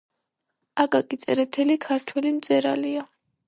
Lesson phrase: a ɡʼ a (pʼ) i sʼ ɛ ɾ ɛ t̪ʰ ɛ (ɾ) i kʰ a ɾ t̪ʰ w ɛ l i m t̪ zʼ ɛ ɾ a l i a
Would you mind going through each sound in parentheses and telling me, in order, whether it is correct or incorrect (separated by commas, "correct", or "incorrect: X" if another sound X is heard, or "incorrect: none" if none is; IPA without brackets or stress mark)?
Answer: incorrect: kʼ, incorrect: l